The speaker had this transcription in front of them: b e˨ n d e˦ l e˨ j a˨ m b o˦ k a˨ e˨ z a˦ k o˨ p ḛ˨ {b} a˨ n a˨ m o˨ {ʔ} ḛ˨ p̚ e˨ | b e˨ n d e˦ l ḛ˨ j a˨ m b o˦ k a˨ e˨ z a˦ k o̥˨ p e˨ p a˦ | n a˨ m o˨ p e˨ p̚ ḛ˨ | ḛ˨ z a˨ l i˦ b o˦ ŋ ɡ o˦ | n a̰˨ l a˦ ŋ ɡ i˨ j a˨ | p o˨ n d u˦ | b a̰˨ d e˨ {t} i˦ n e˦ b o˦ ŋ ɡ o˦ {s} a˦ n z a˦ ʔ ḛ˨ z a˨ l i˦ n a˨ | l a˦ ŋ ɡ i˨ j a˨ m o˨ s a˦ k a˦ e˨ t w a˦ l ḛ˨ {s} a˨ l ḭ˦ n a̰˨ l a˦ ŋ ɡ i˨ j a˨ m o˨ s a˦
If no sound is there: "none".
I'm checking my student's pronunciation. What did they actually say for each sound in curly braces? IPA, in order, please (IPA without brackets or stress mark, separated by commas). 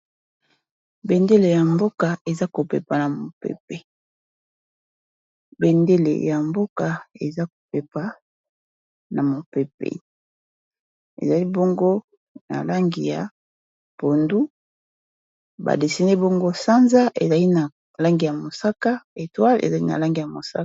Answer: p, p, s, s, z